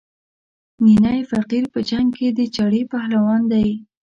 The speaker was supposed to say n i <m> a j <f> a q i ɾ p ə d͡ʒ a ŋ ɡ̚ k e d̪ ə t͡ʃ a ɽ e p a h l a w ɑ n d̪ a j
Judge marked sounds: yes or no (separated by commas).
no, yes